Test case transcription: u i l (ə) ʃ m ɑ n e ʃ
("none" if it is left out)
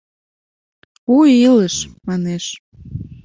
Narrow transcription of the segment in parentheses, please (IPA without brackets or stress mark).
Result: ə